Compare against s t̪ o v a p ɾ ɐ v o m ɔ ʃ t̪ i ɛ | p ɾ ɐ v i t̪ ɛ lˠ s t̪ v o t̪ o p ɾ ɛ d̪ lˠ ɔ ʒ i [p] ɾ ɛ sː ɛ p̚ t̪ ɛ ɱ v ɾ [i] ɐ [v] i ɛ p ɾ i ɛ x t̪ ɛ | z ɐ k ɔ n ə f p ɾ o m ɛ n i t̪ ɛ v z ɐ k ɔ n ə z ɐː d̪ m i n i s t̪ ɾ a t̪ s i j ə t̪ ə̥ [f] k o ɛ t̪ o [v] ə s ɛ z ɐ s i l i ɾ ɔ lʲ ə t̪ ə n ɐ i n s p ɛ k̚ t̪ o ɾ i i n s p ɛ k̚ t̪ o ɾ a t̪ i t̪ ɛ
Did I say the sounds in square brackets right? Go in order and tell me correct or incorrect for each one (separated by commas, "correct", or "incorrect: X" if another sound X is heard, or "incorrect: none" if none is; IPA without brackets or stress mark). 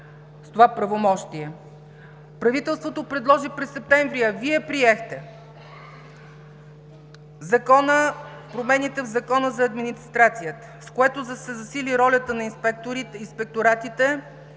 correct, correct, correct, incorrect: s, incorrect: z